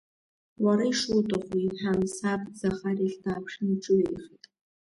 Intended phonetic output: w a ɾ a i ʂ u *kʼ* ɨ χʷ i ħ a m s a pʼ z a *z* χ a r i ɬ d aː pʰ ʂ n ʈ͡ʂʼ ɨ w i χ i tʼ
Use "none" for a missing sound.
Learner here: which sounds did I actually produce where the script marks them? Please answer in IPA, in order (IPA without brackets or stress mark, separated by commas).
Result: tʼ, none